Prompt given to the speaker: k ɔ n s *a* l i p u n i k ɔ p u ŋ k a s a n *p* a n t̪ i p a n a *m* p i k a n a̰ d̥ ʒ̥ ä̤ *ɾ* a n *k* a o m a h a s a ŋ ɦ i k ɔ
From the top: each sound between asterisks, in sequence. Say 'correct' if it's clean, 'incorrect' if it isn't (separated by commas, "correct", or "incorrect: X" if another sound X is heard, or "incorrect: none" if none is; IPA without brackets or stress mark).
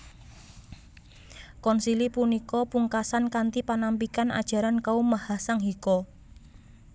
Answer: incorrect: i, incorrect: k, correct, correct, correct